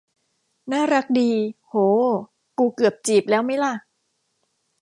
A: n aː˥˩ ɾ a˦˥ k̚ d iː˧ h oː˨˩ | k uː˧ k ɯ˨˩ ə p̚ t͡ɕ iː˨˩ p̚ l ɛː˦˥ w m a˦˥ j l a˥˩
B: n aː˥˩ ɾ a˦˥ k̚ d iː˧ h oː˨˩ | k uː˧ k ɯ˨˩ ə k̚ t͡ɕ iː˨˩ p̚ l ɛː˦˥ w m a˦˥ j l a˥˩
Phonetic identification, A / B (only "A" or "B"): A